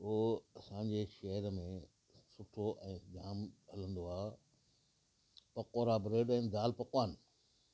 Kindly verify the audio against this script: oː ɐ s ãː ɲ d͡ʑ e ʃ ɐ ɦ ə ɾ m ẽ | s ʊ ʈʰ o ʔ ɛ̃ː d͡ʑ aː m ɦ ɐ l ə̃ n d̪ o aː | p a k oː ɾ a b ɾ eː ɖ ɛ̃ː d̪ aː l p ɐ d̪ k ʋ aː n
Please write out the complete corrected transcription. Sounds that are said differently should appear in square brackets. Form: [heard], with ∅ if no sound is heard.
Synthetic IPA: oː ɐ s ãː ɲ d͡ʑ e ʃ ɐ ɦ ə ɾ m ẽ | s ʊ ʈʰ o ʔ ɛ̃ː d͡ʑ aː m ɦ ɐ l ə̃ n d̪ o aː | p [ɐ] k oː ɾ a b ɾ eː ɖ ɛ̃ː d̪ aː l p ɐ [∅] k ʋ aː n